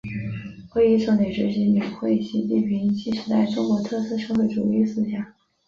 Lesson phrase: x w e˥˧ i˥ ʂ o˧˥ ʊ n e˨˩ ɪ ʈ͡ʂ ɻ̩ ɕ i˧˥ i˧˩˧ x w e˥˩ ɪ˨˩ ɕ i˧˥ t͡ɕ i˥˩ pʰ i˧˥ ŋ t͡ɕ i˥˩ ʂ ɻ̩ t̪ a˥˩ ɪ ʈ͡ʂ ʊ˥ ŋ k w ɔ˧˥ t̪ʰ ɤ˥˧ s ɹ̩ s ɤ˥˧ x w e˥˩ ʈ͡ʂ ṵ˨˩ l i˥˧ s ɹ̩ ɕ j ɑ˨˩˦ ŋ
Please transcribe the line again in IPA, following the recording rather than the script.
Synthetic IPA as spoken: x w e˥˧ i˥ ʂ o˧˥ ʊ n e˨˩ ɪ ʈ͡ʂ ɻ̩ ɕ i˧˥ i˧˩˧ x w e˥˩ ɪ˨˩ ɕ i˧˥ t͡ɕ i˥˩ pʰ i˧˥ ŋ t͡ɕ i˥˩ ʂ ɻ̩ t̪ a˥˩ ɪ ʈ͡ʂ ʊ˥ ŋ k w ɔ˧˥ t̪ʰ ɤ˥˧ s ɹ̩ ʂ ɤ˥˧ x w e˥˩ ʈ͡ʂ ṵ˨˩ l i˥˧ s ɹ̩ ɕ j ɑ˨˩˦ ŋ